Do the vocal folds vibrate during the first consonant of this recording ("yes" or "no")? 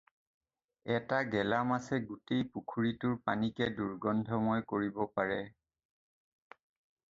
no